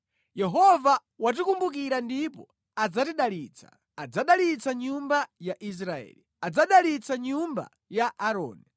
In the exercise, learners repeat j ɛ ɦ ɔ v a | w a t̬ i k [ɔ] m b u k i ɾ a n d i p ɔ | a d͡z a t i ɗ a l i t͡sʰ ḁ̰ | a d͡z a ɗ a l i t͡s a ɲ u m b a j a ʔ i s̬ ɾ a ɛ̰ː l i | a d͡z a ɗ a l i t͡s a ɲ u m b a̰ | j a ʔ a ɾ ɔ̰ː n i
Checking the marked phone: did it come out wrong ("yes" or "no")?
yes